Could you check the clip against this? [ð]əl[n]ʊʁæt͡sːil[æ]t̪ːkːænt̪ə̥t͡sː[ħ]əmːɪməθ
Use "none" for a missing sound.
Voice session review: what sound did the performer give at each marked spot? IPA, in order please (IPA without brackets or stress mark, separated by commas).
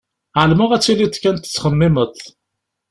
ʕ, m, i, χ